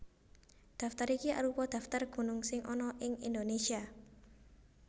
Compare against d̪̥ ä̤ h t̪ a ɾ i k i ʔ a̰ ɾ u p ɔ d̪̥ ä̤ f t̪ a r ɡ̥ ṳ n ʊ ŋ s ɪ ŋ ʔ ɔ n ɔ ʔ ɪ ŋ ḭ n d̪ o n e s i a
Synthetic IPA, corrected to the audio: d̪̥ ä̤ f t̪ a ɾ i k i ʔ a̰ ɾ u p ɔ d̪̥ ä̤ f t̪ a r ɡ̥ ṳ n ʊ ŋ s ɪ ŋ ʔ ɔ n ɔ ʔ ɪ ŋ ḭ n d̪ o n e s i a